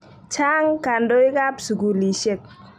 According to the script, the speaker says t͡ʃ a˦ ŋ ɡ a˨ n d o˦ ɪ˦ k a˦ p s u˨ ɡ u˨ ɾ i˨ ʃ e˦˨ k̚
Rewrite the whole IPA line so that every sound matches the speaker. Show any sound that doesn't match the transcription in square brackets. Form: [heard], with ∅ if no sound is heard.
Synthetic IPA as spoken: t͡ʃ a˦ ŋ [k] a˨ n d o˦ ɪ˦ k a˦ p s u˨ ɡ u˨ [l] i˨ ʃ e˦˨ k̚